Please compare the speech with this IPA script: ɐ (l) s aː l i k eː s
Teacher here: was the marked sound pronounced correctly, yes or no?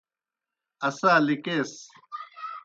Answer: no